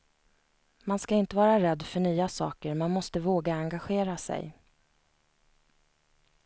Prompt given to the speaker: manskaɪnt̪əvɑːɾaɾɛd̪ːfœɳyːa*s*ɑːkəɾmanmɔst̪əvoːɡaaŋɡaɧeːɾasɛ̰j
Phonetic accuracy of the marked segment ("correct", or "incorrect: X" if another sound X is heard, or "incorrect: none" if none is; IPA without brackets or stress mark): correct